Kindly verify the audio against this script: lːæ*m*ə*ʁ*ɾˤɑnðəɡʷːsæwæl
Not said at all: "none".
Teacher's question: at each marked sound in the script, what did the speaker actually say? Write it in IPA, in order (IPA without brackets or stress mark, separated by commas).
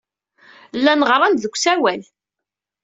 n, ʁ